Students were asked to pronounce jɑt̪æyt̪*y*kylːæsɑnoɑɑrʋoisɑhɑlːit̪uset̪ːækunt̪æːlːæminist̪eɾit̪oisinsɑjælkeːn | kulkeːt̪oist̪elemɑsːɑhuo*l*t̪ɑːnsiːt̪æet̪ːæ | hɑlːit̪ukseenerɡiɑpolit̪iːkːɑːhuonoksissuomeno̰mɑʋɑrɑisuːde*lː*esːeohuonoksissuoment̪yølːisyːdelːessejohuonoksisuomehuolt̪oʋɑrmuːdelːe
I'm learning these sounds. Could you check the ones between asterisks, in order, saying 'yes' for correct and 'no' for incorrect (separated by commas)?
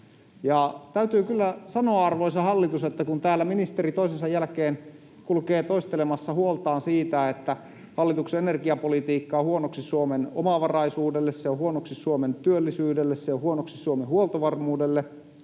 no, yes, yes